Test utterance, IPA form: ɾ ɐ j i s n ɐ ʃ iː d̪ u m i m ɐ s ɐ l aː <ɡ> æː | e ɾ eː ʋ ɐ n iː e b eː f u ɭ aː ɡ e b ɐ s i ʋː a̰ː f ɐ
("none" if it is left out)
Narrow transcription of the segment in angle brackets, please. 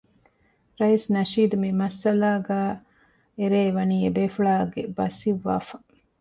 ɡ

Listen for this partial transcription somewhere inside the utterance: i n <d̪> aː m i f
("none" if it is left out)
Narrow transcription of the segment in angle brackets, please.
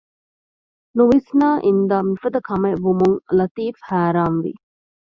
d̪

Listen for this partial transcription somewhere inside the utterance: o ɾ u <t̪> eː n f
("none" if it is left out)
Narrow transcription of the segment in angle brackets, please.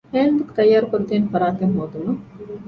t̪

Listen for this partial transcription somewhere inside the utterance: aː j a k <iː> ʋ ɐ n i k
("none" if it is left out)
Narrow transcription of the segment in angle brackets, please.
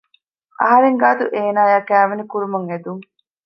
æː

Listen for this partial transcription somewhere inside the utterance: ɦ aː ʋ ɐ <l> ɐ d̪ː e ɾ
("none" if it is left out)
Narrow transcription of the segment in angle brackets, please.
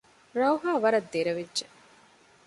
ɾ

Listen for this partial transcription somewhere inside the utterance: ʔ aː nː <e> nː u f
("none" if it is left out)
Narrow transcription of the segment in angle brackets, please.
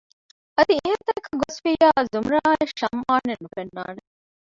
e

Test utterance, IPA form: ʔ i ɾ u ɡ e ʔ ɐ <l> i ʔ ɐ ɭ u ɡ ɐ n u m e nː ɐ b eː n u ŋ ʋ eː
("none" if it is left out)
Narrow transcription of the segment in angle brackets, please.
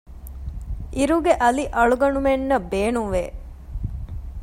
l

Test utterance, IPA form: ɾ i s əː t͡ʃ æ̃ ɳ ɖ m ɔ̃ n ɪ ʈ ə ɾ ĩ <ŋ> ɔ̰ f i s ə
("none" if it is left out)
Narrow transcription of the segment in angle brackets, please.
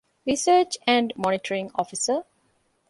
ŋ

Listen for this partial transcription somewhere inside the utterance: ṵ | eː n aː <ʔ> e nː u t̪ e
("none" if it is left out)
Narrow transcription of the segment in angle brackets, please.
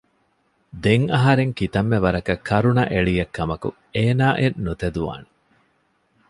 ʔ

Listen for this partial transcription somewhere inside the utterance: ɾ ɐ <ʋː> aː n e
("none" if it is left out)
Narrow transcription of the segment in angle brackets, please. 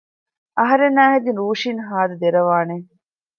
ʋ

